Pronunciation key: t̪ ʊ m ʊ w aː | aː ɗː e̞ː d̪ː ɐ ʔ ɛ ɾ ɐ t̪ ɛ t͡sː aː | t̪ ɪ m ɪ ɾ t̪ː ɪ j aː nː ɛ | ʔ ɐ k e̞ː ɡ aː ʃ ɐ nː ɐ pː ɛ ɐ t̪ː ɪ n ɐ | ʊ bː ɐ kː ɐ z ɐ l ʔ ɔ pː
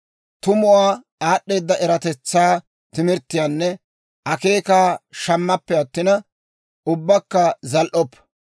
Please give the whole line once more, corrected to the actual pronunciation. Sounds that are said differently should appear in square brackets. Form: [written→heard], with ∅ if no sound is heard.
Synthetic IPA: t̪ ʊ m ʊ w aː | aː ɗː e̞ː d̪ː ɐ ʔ ɛ ɾ ɐ t̪ ɛ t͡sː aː | t̪ ɪ m ɪ ɾ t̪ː ɪ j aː nː ɛ | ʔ ɐ k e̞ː [ɡ→k] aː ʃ ɐ [nː→mː] ɐ pː ɛ ɐ t̪ː ɪ n ɐ | ʊ bː ɐ kː ɐ z ɐ l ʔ ɔ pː